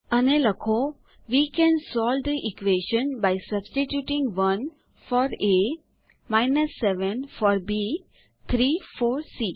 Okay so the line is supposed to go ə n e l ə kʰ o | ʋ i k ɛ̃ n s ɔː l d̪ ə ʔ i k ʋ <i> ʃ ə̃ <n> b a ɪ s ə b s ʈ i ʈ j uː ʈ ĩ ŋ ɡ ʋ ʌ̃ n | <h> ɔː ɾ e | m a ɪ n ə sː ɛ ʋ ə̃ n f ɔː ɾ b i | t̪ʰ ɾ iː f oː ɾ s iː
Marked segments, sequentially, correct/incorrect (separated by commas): incorrect, correct, incorrect